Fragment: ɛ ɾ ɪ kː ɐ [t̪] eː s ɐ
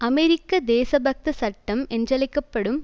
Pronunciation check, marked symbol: incorrect: d̪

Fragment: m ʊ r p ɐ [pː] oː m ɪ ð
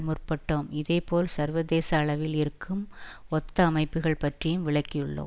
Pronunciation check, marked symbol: incorrect: ʈː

